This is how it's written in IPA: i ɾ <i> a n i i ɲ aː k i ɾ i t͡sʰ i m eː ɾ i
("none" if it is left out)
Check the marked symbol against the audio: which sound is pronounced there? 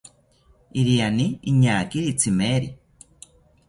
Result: i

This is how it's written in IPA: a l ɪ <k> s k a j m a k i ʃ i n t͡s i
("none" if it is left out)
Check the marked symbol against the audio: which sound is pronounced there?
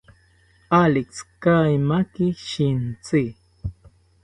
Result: k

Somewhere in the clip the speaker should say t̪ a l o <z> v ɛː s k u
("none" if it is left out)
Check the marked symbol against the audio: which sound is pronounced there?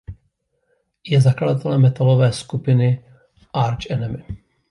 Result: none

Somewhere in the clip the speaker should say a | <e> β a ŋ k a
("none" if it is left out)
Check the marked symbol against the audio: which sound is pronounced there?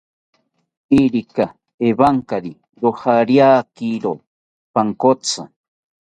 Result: e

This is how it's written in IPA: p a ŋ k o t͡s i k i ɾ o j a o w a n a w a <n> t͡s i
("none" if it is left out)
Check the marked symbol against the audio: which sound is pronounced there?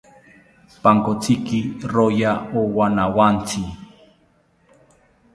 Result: n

